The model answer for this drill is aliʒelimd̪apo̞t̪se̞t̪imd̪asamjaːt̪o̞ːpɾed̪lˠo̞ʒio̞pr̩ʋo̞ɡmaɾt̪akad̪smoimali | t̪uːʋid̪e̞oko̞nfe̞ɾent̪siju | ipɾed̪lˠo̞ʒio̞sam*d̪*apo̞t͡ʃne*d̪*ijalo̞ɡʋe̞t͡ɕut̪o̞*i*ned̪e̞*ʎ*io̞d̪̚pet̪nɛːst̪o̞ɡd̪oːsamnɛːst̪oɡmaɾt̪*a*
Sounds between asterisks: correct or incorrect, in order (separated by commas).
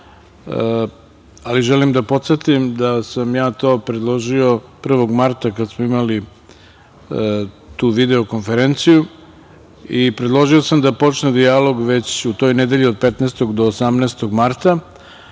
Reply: correct, correct, incorrect, correct, correct